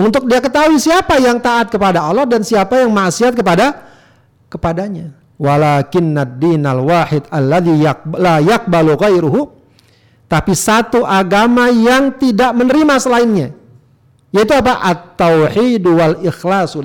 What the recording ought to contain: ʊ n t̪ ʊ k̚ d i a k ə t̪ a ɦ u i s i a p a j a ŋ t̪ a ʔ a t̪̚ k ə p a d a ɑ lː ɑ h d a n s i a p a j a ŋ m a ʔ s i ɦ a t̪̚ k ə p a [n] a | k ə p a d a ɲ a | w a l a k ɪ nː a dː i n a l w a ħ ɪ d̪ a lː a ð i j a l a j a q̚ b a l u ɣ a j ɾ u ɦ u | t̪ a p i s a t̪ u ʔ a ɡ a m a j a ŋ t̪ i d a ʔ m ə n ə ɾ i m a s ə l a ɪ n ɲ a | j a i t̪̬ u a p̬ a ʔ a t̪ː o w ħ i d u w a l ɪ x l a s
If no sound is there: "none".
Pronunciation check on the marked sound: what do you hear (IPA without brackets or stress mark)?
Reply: d